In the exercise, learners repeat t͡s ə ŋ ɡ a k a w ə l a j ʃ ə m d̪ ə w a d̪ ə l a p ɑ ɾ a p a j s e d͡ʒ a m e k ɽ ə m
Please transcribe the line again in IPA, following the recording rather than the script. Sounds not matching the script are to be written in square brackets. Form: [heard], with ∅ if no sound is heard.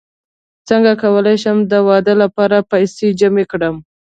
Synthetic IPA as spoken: t͡s ə ŋ ɡ a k a w ə l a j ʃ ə m d̪ ə w [ɑ] d̪ ə l a p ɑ ɾ a p a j s e d͡ʒ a m e k ɽ ə m